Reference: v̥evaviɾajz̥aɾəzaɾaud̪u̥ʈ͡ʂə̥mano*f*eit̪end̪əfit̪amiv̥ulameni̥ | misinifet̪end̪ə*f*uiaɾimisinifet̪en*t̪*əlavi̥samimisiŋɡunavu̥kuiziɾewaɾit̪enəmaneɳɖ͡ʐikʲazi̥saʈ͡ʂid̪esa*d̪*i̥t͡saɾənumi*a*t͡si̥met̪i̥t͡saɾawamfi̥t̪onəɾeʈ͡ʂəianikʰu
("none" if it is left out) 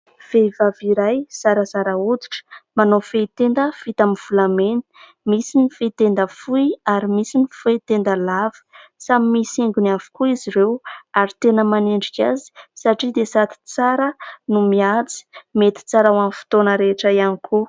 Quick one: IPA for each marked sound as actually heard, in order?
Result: f, f, d̪, t̪, a

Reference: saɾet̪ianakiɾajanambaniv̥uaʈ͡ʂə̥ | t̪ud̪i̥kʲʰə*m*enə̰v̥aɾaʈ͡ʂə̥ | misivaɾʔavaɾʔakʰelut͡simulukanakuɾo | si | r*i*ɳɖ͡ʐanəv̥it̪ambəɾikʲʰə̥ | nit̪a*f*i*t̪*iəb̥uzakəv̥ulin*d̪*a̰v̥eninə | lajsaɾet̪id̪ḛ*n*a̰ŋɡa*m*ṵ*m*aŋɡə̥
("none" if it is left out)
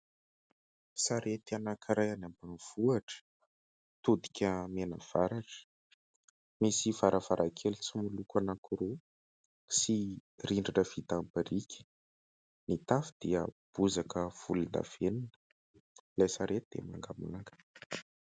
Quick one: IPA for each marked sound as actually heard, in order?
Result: m, i, f, d̪, d̪, m, m, n

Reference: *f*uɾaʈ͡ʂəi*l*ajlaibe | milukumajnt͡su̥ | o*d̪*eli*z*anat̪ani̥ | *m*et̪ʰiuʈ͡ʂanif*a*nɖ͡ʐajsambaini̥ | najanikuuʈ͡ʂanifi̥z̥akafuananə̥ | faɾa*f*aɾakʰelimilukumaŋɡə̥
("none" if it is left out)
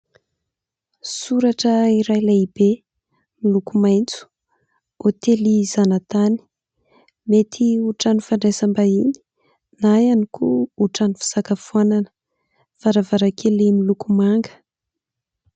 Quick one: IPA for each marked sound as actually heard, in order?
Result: s, ɾ, t̪, z, m, a, v

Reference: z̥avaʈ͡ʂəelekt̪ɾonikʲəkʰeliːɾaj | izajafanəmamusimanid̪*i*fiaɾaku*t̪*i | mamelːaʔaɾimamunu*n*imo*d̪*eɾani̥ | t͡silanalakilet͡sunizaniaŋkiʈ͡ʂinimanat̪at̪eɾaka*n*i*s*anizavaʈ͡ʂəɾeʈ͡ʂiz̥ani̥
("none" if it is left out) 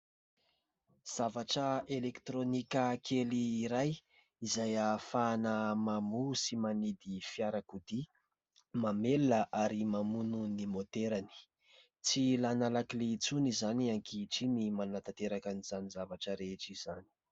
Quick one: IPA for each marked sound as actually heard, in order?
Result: i, d̪, n, t̪, n, z

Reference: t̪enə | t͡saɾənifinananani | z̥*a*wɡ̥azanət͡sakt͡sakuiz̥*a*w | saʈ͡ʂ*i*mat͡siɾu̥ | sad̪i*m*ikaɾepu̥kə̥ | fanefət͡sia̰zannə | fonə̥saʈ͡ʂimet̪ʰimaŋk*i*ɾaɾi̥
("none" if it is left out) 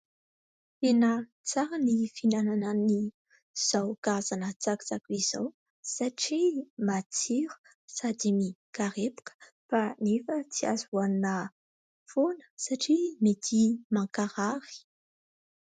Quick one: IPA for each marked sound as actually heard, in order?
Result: a, a, i, m, a

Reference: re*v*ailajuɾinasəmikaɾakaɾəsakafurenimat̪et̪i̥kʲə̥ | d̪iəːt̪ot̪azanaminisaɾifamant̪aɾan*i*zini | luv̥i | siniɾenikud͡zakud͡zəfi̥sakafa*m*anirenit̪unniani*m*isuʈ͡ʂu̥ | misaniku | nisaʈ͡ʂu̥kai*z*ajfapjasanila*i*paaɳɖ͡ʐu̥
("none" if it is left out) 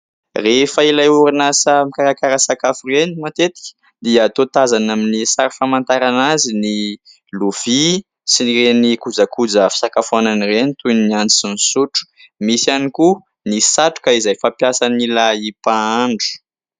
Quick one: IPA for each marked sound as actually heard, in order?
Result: f, a, n, n, z, i

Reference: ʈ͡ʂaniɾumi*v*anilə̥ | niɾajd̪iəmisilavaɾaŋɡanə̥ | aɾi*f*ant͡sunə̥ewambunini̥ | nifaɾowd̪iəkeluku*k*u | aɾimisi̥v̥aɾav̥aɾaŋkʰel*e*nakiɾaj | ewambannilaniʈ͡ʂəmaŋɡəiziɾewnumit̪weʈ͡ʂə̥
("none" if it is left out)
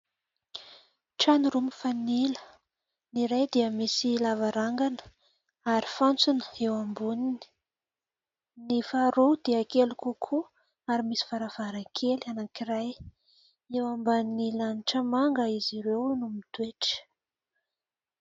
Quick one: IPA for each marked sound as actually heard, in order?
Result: f, f, kʰ, a

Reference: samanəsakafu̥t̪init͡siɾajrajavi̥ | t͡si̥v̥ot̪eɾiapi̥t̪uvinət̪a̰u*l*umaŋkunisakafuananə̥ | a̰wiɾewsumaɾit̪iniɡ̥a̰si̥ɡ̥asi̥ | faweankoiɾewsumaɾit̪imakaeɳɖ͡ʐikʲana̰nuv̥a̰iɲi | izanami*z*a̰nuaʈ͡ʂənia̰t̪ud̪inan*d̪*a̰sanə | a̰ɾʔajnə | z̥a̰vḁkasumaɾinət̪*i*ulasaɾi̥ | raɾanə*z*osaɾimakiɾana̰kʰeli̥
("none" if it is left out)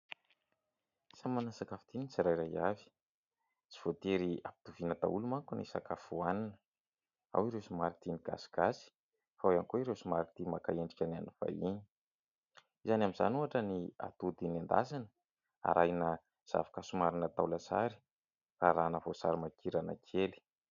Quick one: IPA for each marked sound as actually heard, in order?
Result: l, z, d̪, a, v

